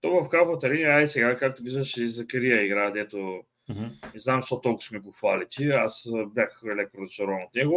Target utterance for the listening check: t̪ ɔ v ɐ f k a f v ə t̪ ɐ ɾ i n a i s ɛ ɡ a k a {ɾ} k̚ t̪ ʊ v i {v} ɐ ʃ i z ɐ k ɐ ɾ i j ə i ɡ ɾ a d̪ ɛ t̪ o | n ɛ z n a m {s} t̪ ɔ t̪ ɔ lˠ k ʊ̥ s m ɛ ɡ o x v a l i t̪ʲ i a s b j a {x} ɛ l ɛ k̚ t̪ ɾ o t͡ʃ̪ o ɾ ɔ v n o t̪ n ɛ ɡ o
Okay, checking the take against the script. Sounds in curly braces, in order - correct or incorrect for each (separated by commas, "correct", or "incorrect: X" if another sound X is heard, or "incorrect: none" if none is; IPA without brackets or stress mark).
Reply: incorrect: none, incorrect: ʒ, incorrect: ʃ, correct